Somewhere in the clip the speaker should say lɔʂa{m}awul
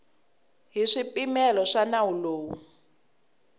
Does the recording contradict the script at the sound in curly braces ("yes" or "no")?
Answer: yes